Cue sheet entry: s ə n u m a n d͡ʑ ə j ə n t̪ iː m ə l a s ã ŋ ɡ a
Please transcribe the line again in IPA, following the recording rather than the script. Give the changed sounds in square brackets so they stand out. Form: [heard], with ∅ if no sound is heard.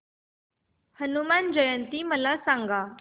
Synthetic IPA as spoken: [h] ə n u m a n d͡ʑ ə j ə n t̪ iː m ə l a s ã ŋ ɡ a